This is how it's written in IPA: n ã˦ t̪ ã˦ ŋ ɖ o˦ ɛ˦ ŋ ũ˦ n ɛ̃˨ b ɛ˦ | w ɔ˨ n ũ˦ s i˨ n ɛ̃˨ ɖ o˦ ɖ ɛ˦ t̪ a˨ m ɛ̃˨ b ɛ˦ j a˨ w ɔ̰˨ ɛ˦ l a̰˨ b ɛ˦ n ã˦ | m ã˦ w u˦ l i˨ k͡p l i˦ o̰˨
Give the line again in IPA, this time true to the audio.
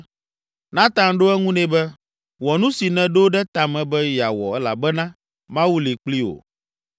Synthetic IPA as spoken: n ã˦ t̪ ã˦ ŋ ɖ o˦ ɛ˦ ŋ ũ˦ n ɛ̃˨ b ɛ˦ | w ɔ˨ n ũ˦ s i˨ n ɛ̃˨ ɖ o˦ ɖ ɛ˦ t̪ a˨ m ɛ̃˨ b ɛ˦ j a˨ w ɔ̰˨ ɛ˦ l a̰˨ b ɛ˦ n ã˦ | m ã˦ w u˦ l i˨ k͡p l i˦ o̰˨

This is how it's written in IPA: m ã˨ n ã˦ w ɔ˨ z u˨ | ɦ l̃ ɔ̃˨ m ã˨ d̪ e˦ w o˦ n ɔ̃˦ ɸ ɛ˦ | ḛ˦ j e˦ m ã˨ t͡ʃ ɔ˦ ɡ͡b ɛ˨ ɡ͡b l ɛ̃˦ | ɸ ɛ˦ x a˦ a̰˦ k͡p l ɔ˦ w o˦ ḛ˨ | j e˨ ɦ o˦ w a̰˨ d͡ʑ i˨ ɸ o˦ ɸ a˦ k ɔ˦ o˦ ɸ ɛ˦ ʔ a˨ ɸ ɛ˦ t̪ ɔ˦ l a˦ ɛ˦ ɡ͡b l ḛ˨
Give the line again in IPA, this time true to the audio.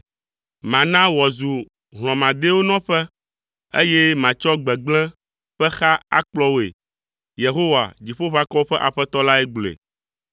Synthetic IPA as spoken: m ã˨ n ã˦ w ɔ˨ z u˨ | ɦ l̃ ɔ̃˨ m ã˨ d̪ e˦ w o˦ n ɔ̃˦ ɸ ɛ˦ | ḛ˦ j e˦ m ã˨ t͡ʃ ɔ˦ ɡ͡b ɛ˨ ɡ͡b l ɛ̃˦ | ɸ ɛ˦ x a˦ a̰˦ k͡p l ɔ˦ w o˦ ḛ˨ | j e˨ ɦ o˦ w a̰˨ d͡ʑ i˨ ɸ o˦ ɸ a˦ k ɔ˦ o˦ ɸ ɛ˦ ʔ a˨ ɸ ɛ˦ t̪ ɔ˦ l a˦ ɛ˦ ɡ͡b l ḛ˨

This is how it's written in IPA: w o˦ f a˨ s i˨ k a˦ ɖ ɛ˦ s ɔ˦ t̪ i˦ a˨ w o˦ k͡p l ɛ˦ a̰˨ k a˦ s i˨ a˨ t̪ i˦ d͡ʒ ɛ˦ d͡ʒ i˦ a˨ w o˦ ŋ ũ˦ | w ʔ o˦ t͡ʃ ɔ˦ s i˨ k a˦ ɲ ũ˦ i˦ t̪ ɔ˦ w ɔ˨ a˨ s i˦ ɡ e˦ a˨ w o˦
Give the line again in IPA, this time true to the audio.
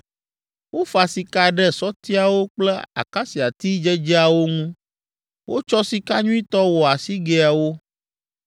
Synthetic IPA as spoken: w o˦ f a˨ s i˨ k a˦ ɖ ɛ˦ s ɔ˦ t̪ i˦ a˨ w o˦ k͡p l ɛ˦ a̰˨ k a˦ s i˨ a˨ t̪ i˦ d͡ʒ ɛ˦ d͡ʒ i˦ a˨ w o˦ ŋ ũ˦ | w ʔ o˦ t͡ʃ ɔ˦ s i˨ k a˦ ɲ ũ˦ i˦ t̪ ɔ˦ w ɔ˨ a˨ s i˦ ɡ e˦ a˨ w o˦

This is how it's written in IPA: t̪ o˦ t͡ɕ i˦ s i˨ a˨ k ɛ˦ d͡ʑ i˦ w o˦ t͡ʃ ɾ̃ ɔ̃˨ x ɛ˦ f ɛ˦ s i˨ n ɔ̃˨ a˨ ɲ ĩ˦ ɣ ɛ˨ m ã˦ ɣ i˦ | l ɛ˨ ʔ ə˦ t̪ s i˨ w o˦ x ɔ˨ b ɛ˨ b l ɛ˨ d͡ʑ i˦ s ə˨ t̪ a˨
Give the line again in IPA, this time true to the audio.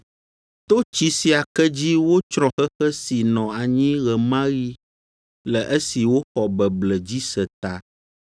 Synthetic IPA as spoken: t̪ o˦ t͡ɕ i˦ s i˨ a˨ k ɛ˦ d͡ʑ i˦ w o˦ t͡ʃ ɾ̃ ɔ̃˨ x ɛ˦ x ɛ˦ s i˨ n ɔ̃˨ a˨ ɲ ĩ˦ ɣ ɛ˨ m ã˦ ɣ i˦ | l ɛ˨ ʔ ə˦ s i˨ w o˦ x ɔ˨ b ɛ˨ b l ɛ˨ d͡ʑ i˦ s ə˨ t̪ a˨

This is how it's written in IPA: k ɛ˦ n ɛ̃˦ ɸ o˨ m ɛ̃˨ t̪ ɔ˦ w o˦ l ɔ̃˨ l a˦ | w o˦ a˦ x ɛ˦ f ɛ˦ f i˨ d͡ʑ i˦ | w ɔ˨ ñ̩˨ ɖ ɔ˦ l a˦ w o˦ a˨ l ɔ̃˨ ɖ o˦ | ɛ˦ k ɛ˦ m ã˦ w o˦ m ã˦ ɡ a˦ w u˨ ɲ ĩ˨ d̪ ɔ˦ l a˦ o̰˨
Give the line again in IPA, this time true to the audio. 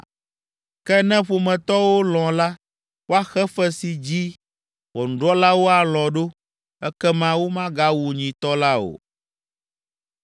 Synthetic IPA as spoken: k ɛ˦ n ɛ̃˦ ɸ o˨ m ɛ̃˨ t̪ ɔ˦ w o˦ l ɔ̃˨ l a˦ | w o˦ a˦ x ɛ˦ f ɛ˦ s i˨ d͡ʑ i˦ | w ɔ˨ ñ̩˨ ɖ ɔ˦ l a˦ w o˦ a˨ l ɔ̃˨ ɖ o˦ | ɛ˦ k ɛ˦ m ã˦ w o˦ m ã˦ ɡ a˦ w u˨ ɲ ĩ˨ t̪ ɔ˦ l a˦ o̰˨

